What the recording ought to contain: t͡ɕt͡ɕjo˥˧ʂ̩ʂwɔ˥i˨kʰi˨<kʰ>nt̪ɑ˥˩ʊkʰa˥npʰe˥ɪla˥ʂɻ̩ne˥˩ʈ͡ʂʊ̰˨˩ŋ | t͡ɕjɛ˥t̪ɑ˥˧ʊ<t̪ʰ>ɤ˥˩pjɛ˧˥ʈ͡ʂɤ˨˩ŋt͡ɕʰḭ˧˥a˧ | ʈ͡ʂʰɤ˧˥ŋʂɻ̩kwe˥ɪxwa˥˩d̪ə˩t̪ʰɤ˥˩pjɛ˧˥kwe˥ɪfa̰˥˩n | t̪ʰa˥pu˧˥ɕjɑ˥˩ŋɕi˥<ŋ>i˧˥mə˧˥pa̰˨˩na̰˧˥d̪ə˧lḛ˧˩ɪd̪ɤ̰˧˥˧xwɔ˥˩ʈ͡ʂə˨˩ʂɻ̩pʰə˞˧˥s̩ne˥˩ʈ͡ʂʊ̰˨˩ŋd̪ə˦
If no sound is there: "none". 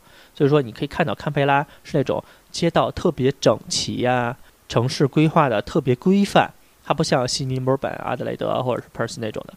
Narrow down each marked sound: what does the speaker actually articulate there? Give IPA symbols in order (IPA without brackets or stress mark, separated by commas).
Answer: kʰ, t̪ʰ, n